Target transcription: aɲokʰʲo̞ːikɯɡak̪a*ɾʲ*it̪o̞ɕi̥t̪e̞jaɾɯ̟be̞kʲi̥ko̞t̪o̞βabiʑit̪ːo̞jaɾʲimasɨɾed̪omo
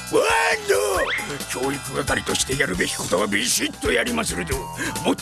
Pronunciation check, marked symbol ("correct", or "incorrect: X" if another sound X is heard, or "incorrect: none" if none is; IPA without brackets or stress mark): correct